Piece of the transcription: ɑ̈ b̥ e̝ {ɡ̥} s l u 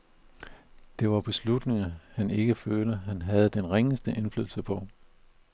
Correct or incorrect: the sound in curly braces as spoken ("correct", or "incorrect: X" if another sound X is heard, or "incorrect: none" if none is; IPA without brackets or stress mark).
incorrect: none